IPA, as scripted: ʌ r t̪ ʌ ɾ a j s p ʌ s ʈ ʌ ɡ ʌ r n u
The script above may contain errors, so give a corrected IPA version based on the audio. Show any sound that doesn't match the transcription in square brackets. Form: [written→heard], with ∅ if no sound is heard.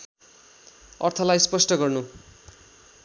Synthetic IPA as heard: ʌ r [t̪→t̪ʰ] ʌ [ɾ→l] a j s p ʌ s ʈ ʌ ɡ ʌ r n u